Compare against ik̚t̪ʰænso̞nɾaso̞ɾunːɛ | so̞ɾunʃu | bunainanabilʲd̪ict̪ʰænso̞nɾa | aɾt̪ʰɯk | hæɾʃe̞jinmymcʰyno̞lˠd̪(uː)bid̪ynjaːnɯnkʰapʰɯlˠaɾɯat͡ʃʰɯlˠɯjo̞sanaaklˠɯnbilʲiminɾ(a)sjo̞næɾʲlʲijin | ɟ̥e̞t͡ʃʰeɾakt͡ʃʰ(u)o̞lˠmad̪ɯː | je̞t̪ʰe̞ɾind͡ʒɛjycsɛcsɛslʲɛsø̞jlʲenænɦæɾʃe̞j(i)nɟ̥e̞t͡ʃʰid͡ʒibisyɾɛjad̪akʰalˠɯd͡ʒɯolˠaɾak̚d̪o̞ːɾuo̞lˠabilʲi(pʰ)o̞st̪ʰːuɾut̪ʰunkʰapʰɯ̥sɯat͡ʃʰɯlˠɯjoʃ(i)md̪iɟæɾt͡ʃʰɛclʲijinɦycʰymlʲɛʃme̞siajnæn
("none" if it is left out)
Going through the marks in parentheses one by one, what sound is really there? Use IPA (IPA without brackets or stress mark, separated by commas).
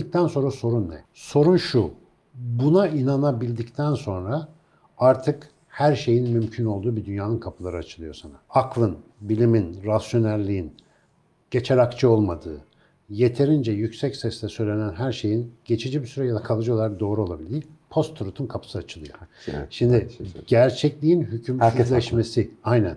uː, a, ɯ, i, pʰ, i